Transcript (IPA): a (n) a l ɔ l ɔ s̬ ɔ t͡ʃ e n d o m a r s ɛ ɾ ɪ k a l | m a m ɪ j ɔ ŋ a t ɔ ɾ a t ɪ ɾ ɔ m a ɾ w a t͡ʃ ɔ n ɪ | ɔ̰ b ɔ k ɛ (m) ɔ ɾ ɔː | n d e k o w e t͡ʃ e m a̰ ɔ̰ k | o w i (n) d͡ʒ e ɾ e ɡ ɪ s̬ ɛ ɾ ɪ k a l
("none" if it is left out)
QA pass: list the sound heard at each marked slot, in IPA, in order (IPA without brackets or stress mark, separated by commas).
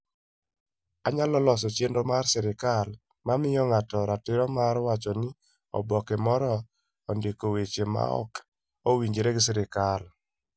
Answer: ɲ, m, ɲ